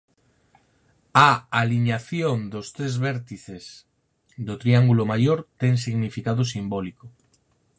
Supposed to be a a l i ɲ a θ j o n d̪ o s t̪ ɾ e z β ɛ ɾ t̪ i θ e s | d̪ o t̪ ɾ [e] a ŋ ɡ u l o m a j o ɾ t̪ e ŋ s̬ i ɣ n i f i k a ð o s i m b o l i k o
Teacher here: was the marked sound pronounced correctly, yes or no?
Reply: no